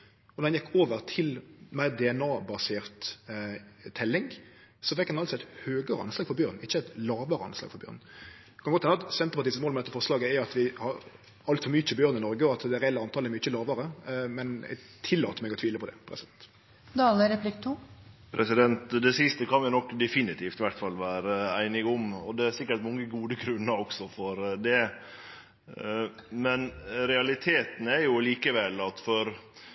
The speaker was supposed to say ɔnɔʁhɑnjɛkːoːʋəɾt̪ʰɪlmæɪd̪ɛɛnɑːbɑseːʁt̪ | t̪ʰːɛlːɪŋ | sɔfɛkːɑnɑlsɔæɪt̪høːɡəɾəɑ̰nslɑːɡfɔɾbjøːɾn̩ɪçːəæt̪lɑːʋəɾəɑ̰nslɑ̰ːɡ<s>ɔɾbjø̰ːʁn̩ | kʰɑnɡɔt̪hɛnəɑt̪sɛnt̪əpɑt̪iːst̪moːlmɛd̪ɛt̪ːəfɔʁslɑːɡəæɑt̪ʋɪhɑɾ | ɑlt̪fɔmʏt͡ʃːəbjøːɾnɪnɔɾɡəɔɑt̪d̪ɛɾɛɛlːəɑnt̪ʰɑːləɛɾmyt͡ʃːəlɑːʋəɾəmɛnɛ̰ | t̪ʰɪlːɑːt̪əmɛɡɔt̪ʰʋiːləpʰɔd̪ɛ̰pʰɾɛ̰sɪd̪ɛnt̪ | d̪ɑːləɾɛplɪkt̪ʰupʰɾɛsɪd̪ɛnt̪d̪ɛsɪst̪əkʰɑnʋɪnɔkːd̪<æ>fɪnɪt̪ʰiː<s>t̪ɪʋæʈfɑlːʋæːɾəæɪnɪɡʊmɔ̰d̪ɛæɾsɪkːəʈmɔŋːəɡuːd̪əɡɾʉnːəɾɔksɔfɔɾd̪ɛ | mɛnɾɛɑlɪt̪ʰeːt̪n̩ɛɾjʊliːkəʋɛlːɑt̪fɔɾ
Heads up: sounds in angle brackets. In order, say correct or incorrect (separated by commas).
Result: incorrect, incorrect, incorrect